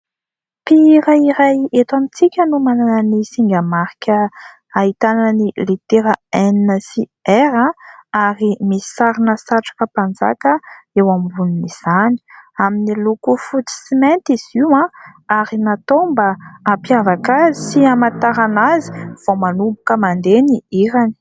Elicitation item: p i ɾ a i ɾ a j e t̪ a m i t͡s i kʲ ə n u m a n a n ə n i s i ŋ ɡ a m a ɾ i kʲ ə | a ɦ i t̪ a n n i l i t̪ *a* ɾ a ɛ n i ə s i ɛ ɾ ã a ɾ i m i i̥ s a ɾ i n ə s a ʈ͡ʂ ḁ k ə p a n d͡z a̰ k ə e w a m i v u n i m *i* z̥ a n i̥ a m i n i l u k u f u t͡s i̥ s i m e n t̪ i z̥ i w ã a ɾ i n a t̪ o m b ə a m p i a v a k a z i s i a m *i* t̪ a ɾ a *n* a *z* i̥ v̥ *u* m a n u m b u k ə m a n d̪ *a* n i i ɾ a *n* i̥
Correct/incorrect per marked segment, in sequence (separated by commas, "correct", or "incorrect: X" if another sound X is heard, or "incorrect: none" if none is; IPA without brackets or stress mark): incorrect: e, correct, incorrect: a, correct, correct, incorrect: o, incorrect: e, correct